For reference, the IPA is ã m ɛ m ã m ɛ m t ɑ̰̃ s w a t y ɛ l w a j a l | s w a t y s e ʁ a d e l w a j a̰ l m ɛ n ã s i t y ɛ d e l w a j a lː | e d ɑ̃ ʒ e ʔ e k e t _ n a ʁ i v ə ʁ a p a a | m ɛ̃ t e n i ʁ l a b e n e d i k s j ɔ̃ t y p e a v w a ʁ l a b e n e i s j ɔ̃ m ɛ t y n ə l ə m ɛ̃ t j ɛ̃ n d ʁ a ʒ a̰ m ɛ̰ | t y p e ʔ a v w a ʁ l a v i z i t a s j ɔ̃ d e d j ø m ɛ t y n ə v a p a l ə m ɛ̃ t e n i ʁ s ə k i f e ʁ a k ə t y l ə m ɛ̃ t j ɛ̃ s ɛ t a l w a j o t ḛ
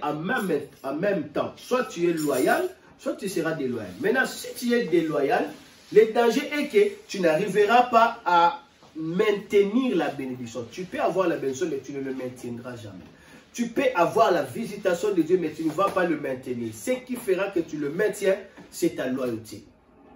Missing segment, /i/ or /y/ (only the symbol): y